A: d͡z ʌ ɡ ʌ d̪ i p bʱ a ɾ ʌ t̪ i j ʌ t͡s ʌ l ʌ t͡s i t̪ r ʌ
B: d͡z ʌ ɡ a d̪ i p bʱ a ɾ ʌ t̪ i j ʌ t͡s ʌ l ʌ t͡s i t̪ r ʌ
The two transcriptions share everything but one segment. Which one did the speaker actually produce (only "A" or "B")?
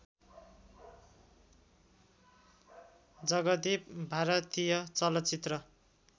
A